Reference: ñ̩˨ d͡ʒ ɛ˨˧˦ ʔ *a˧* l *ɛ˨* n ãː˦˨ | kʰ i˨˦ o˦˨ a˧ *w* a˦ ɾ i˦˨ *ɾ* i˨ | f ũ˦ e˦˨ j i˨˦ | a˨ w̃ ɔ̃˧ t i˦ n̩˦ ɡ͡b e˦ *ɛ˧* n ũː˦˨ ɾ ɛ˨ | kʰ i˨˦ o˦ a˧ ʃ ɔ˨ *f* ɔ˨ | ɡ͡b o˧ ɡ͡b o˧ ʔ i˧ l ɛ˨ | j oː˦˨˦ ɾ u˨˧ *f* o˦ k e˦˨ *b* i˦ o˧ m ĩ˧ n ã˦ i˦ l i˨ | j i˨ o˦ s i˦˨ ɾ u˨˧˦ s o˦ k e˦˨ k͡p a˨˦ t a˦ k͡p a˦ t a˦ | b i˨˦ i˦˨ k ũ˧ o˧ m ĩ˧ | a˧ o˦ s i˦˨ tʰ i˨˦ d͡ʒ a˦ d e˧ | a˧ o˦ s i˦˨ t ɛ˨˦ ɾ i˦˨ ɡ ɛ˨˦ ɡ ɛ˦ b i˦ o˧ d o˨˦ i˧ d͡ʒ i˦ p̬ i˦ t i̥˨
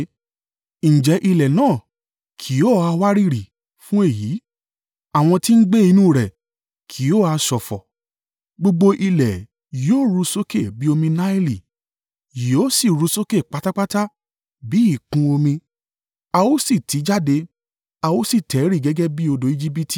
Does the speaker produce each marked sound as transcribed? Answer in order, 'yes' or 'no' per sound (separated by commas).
no, yes, yes, yes, no, yes, no, yes